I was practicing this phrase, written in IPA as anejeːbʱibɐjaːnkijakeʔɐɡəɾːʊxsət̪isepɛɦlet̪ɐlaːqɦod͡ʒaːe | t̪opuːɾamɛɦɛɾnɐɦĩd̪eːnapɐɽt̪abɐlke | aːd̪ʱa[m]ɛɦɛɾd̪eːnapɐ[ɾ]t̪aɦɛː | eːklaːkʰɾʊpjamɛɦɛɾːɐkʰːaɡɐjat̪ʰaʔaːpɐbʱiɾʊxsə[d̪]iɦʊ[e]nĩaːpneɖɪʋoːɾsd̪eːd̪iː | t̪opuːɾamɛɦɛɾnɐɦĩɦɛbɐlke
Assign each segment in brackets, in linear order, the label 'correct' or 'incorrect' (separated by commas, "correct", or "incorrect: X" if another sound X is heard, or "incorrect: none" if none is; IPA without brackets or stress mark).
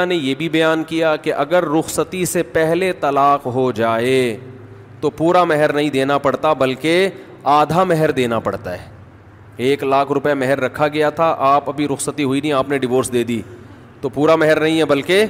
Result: correct, incorrect: ɽ, incorrect: t̪, incorrect: i